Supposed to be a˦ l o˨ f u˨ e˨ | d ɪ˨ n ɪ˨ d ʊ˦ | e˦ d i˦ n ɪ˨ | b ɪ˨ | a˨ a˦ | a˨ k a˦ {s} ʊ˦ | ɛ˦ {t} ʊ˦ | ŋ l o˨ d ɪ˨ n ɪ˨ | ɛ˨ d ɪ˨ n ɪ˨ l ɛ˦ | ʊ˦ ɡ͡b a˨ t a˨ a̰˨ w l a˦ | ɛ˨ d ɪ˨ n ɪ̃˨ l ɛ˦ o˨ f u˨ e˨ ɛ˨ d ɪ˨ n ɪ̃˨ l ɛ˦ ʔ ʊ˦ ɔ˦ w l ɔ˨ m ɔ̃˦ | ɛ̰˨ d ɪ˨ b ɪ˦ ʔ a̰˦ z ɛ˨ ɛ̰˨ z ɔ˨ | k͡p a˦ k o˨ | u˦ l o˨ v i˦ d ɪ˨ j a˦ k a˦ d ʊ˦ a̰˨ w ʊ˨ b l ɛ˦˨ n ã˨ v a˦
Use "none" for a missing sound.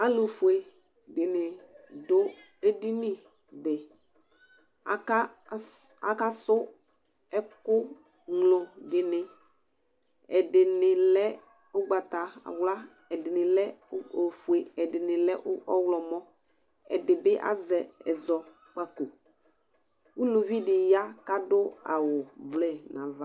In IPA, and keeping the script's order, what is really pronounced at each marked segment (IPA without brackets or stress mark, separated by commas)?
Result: s, k